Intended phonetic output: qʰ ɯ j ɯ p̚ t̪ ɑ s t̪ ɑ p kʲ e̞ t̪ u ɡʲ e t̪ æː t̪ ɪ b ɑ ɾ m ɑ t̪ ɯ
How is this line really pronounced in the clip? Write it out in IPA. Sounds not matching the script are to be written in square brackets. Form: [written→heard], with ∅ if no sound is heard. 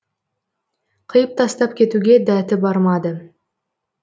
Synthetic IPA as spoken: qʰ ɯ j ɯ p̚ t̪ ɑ s t̪ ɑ p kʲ e̞ t̪ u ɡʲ e [t̪→d̪] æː t̪ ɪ b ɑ ɾ m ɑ [t̪→d̪] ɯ